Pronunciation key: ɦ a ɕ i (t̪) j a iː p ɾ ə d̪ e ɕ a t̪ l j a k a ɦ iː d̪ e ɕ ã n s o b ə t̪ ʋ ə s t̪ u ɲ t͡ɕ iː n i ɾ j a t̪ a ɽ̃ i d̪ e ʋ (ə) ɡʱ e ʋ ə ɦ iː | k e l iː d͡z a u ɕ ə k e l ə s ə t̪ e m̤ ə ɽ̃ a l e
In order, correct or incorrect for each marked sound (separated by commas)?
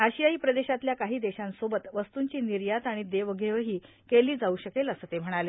incorrect, correct